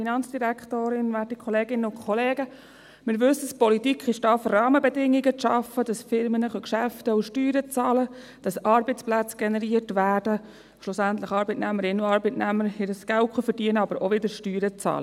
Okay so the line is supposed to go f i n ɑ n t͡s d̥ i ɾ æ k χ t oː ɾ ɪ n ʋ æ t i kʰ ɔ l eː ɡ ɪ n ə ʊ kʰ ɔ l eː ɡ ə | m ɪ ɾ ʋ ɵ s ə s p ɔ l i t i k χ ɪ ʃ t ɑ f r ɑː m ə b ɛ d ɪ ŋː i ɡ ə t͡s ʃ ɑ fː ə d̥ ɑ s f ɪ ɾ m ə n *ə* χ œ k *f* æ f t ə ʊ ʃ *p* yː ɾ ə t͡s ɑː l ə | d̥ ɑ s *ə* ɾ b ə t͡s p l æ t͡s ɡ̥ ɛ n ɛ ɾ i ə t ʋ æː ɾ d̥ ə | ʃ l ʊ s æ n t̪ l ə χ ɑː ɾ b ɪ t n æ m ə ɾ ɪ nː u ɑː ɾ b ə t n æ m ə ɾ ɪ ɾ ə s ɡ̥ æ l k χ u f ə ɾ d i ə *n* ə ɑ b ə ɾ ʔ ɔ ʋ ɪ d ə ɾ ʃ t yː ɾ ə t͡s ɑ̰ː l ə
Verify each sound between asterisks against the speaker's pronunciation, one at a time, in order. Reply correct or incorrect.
correct, incorrect, incorrect, incorrect, correct

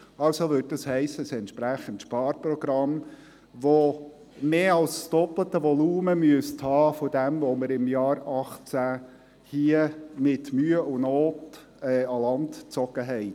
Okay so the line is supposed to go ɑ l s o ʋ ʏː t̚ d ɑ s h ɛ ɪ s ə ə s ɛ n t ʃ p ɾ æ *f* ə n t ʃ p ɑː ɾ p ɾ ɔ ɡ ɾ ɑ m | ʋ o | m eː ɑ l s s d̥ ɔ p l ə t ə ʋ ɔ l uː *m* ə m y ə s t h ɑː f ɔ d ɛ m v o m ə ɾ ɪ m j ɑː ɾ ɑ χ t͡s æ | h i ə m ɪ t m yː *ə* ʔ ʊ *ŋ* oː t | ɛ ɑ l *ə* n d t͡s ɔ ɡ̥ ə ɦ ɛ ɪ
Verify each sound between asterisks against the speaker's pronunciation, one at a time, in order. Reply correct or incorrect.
incorrect, correct, correct, incorrect, incorrect

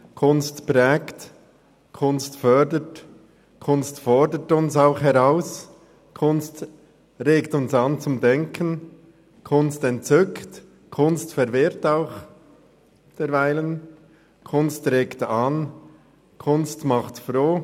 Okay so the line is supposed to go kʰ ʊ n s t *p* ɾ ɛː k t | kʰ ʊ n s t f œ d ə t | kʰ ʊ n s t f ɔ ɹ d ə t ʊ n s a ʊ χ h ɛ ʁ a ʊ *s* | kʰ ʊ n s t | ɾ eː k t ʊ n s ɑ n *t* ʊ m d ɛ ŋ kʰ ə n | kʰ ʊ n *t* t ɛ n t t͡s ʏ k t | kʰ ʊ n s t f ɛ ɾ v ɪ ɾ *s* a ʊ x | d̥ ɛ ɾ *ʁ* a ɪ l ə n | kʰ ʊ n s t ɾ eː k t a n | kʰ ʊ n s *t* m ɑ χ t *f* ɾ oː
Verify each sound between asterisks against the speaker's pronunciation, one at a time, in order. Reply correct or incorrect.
correct, correct, incorrect, incorrect, incorrect, incorrect, correct, correct

